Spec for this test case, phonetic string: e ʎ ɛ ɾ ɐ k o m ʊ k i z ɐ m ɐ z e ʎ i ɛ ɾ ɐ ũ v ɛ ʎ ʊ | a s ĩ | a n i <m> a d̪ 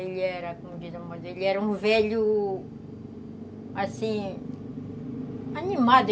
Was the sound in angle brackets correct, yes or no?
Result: yes